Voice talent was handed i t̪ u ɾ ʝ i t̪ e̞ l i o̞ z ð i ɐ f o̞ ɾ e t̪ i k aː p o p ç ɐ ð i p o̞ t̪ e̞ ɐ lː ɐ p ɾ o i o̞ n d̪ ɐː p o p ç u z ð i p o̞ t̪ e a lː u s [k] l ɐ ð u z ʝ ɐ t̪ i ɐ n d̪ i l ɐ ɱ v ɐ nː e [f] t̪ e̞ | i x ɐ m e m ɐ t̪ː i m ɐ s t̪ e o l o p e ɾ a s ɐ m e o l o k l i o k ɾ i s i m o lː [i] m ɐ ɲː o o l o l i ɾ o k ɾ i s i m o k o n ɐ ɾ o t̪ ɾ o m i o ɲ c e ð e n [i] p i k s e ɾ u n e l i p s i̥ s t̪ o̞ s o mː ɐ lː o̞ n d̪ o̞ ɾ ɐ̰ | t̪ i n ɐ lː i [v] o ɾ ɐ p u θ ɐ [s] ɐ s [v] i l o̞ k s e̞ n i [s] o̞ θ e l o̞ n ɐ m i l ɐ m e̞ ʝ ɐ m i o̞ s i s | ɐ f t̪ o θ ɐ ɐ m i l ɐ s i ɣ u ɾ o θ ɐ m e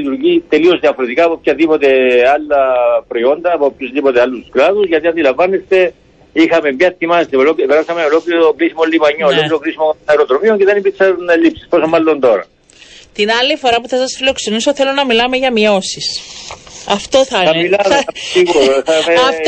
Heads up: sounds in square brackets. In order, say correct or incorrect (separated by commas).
correct, incorrect, correct, correct, incorrect, correct, incorrect, correct